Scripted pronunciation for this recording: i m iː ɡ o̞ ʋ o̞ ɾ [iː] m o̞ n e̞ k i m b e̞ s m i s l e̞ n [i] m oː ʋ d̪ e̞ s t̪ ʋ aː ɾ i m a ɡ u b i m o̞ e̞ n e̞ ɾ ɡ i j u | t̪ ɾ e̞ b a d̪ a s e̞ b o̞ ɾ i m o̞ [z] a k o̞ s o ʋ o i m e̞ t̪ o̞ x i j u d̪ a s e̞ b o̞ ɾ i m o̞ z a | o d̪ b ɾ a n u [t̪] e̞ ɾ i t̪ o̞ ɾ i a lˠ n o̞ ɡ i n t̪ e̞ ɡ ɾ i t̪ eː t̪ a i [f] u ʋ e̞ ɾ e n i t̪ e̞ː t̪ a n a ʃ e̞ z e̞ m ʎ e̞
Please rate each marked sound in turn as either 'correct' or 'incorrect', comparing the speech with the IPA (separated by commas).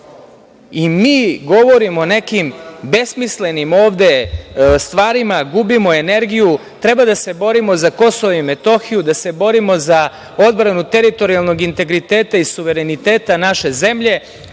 incorrect, correct, correct, correct, incorrect